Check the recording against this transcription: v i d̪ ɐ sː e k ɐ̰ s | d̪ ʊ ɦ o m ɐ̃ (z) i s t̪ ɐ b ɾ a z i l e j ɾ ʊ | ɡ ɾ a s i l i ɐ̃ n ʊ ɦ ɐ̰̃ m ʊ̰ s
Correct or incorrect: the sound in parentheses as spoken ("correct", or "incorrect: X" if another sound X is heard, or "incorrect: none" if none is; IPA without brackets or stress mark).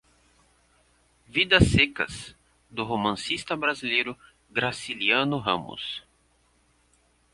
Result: incorrect: s